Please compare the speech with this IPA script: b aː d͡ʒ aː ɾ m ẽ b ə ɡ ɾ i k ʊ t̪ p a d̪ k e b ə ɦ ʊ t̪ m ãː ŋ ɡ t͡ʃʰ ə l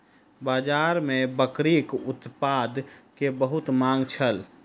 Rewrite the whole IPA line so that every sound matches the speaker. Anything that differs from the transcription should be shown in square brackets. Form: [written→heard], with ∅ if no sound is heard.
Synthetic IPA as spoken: b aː d͡ʒ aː ɾ m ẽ b ə [ɡ→k] ɾ i k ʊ t̪ p a d̪ k e b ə ɦ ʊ t̪ m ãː ŋ ɡ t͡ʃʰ ə l